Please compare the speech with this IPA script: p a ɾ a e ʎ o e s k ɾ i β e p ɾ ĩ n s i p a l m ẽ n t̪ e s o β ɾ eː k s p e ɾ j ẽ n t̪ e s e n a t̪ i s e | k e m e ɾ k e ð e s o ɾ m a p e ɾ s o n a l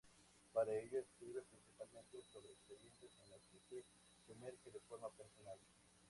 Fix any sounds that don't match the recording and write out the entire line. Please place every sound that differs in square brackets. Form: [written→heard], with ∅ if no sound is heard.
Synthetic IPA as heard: p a ɾ a e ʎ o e s k ɾ i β e p ɾ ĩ n s i p a l m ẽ n t̪ e s o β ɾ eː k s p e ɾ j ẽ n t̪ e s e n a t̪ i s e | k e m e ɾ k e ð e [s→f] o ɾ m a p e ɾ s o n a l